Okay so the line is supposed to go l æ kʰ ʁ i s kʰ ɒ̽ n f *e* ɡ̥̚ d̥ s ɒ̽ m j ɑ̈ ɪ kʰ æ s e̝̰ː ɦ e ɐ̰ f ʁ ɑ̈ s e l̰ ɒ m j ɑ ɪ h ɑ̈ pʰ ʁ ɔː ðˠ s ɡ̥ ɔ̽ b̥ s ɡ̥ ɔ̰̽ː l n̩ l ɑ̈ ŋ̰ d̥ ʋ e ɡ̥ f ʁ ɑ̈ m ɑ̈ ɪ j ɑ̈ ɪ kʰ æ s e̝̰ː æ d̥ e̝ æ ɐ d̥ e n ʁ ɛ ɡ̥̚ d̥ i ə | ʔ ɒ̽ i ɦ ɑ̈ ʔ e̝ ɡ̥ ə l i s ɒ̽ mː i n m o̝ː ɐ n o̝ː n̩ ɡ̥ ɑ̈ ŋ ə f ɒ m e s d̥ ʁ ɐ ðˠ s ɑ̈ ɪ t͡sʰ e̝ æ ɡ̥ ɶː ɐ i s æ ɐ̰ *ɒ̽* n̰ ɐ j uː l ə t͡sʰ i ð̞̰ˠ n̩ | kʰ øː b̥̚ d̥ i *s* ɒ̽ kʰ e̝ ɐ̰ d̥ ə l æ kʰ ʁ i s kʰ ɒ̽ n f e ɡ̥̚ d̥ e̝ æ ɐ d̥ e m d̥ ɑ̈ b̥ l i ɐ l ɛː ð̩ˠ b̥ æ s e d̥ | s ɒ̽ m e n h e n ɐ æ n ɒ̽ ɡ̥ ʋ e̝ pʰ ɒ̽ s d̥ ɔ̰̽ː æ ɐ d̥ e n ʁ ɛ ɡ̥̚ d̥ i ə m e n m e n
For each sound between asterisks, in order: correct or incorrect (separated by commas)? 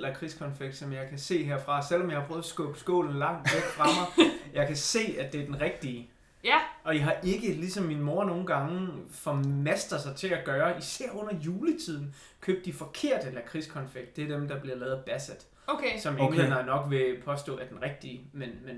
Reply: correct, incorrect, incorrect